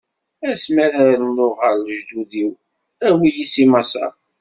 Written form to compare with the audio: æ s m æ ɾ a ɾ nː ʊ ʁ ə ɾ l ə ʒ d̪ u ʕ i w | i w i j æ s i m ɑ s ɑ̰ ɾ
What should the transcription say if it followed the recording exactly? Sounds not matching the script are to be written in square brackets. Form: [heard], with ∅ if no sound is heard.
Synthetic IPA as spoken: æ s m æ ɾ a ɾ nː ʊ ʁ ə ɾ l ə ʒ d̪ u [ð] i w | [æ] w i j [i] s i m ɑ s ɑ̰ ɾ